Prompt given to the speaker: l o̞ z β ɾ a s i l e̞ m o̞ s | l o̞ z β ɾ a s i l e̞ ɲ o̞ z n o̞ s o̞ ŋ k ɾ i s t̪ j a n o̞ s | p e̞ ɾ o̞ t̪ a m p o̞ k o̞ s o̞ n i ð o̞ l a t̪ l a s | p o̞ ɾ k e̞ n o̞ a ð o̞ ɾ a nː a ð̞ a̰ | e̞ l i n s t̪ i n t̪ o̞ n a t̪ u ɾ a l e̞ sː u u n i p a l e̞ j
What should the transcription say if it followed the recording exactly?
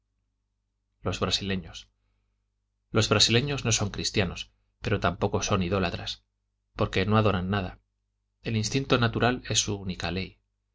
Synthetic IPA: l o̞ z β ɾ a s i l e̞ ɲ o̞ s | l o̞ z β ɾ a s i l e̞ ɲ o̞ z n o̞ s o̞ ŋ k ɾ i s t̪ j a n o̞ s | p e̞ ɾ o̞ t̪ a m p o̞ k o̞ s o̞ n i ð o̞ l a t̪ ɾ a s | p o̞ ɾ k e̞ n o̞ a ð o̞ ɾ a nː a ð̞ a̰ | e̞ l i n s t̪ i n t̪ o̞ n a t̪ u ɾ a l e̞ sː u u n i k a l e̞ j

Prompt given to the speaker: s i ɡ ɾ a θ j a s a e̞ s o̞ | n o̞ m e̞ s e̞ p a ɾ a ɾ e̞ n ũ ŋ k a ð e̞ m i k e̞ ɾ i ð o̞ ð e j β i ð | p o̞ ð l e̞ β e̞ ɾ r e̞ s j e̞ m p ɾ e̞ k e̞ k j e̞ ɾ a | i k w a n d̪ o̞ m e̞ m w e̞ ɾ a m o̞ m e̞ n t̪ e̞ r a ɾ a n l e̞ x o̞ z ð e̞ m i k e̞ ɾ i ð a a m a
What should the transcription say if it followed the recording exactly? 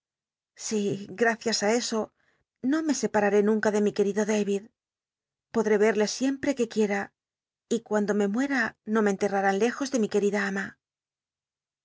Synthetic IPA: s i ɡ ɾ a θ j a s a e̞ s o̞ | n o̞ m e̞ s e̞ p a ɾ a ɾ e̞ n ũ ŋ k a ð e̞ m i k e̞ ɾ i ð o̞ ð e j β i ð | p o̞ ð ɾ e̞ β e̞ ɾ l e̞ s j e̞ m p ɾ e̞ k e̞ k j e̞ ɾ a | i k w a n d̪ o̞ m e̞ m w e̞ ɾ a n o̞ m e̞ n t̪ e̞ r a ɾ a n l e̞ x o̞ z ð e̞ m i k e̞ ɾ i ð a a m a

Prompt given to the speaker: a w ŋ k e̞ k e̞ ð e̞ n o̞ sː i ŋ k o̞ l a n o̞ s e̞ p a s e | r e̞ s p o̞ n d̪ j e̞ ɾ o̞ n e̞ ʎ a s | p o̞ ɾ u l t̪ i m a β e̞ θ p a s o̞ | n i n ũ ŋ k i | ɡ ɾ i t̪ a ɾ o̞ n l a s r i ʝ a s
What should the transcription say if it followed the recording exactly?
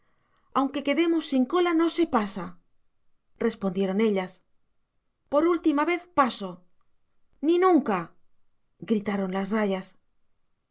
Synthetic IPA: a w ŋ k e̞ k e̞ ð e̞ m o̞ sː i ŋ k o̞ l a n o̞ s e̞ p a s a | r e̞ s p o̞ n d̪ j e̞ ɾ o̞ n e̞ ʎ a s | p o̞ ɾ u l t̪ i m a β e̞ θ p a s o̞ | n i n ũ ŋ k a | ɡ ɾ i t̪ a ɾ o̞ n l a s r a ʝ a s

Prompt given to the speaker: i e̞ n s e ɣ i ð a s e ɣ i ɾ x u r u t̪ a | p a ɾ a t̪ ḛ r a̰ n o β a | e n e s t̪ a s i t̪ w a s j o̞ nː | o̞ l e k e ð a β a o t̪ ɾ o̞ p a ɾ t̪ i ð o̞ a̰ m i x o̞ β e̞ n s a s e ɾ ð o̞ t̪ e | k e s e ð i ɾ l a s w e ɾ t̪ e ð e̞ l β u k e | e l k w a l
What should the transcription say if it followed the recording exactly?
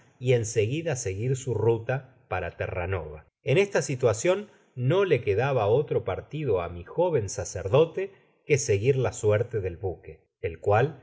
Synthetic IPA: i e̞ n s e ɣ i ð a s e ɣ i ɾ s u r u t̪ a | p a ɾ a t̪ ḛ r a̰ n o β a | e n e s t̪ a s i t̪ w a s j o̞ nː | o̞ l e k e ð a β a o t̪ ɾ o̞ p a ɾ t̪ i ð o̞ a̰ m i x o̞ β e̞ n s a s e ɾ ð o̞ t̪ e | k e s e ɣ i ɾ l a s w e ɾ t̪ e ð e̞ l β u k e | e l k w a l

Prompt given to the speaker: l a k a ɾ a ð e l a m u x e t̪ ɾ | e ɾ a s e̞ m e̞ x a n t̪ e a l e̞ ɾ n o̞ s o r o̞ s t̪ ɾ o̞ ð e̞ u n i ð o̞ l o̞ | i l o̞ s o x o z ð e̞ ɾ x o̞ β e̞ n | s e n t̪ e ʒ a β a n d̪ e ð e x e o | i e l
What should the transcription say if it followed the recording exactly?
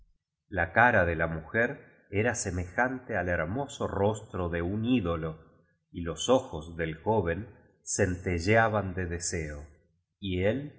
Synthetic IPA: l a k a ɾ a ð e l a m u x e ɾ | e ɾ a s e̞ m e̞ x a n t̪ e a l e̞ ɾ m o̞ s o r o̞ s t̪ ɾ o̞ ð e̞ u n i ð o̞ l o̞ | i l o̞ s o x o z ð e̞ l x o̞ β e̞ n | s e n t̪ e ʒ a β a n d̪ e ð e s e o | i e l

